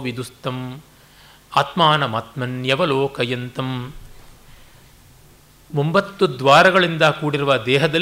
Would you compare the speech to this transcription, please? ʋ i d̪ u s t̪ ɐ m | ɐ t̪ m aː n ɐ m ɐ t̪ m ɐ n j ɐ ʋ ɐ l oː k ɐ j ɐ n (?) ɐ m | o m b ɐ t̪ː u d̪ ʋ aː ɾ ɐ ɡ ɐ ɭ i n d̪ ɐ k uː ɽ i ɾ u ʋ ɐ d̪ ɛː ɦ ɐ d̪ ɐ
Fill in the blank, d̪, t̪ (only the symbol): t̪